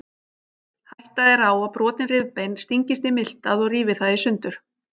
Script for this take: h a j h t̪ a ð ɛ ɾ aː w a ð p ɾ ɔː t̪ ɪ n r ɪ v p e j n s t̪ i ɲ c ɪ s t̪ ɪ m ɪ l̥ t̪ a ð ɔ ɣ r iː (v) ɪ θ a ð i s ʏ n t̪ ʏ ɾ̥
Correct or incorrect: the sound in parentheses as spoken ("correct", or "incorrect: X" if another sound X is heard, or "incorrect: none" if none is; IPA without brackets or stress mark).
correct